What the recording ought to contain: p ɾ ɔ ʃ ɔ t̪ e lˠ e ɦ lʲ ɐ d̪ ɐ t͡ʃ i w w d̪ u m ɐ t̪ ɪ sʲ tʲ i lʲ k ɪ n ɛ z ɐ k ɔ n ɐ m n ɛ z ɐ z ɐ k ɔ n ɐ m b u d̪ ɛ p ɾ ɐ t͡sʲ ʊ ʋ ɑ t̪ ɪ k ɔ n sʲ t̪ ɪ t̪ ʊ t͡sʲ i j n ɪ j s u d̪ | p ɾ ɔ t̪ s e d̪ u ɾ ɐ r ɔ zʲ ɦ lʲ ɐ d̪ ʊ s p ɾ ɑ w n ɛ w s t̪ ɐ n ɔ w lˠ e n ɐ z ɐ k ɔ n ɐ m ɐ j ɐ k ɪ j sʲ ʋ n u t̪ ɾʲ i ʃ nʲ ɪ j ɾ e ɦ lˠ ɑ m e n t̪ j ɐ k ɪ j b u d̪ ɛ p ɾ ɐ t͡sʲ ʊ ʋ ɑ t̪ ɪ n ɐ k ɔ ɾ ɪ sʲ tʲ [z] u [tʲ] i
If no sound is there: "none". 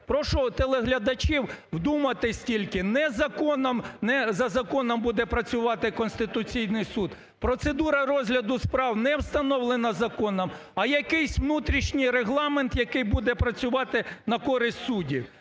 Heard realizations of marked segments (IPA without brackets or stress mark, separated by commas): s, dʲ